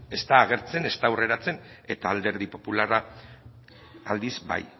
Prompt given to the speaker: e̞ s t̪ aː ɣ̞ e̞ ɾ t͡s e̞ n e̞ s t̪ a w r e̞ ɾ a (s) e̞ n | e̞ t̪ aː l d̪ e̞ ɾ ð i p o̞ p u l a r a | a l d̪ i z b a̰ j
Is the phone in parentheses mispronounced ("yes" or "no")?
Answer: yes